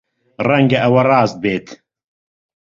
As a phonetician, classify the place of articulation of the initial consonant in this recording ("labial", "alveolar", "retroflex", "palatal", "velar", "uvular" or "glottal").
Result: alveolar